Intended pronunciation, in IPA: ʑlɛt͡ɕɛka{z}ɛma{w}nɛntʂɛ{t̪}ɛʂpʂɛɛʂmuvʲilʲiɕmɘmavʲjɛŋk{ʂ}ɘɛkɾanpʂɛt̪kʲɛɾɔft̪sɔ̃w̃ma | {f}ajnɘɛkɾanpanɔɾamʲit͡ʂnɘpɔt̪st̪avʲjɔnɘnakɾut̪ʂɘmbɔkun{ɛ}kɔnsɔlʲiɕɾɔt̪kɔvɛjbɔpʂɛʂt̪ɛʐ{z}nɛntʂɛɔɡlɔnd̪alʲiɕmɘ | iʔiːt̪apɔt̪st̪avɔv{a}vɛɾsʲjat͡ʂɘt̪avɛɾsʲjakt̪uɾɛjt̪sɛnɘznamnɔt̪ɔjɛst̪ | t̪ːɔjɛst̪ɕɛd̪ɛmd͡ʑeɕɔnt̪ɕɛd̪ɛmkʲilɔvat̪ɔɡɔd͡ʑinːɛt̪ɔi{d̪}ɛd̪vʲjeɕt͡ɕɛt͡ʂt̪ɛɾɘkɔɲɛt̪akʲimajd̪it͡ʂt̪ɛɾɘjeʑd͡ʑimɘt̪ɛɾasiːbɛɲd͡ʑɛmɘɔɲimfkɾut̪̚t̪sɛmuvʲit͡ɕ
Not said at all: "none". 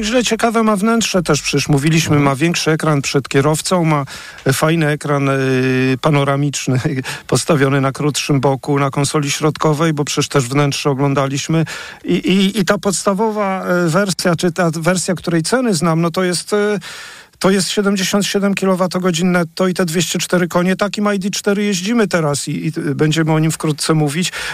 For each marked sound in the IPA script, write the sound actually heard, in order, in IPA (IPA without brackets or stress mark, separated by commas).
v, v, t̪, ʂ, f, a, v, a, t̪